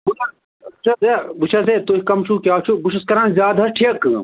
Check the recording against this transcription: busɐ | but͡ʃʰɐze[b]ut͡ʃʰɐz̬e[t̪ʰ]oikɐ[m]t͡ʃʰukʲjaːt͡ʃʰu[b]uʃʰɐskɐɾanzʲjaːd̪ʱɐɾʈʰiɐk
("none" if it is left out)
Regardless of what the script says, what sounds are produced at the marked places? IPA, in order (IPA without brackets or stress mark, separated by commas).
b, t̪, m, b